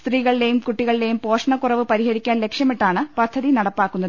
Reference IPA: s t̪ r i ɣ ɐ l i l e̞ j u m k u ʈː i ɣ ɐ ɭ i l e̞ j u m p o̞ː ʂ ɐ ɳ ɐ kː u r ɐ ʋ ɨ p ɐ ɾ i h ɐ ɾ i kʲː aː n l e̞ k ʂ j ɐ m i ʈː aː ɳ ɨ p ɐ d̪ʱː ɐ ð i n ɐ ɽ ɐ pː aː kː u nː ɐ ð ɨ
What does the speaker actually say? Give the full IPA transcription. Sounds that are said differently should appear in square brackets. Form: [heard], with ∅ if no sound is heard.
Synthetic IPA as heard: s t̪ r [iː] ɣ ɐ [ɭ] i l e̞ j u m k u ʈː i ɣ ɐ ɭ i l e̞ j u m p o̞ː ʂ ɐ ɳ ɐ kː u r ɐ ʋ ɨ p ɐ ɾ i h ɐ ɾ i kʲː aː n l e̞ k ʂ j ɐ m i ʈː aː ɳ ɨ p ɐ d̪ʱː ɐ ð i n ɐ ɽ ɐ pː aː kː u nː ɐ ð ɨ